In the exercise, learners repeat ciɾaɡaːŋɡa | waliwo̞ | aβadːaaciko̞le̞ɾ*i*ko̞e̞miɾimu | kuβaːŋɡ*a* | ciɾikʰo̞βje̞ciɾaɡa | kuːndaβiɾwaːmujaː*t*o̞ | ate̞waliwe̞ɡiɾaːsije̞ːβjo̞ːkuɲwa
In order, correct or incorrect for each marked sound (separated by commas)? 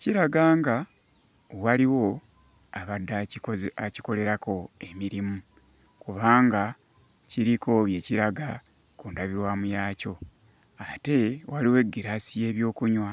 incorrect, correct, incorrect